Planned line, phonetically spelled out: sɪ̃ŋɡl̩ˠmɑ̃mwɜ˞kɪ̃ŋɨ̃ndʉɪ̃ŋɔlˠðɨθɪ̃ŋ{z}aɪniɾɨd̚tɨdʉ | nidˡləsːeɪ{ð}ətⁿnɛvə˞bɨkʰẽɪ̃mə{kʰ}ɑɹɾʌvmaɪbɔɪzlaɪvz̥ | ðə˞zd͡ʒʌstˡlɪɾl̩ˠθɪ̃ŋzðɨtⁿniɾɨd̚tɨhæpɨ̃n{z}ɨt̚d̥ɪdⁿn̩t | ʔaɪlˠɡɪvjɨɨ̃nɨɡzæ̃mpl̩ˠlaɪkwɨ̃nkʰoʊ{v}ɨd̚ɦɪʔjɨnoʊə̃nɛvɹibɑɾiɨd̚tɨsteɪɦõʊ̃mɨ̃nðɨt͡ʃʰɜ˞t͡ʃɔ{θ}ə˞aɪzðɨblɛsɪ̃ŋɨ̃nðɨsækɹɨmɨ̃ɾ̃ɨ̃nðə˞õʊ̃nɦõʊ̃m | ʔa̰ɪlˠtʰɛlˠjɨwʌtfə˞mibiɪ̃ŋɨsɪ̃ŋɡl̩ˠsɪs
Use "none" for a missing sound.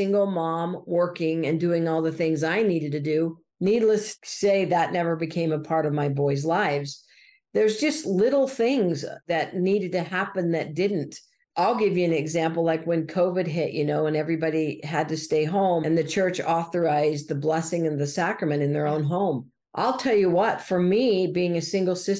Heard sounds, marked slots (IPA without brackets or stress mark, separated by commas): z, ð, pʰ, ð, v, θ